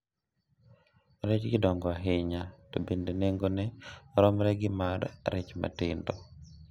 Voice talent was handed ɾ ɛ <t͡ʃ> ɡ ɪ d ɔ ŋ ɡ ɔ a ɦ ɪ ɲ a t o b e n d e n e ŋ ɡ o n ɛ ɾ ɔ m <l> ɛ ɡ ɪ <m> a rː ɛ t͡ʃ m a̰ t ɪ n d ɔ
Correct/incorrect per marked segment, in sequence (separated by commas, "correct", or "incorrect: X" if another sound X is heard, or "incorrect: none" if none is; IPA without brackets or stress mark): correct, incorrect: ɾ, correct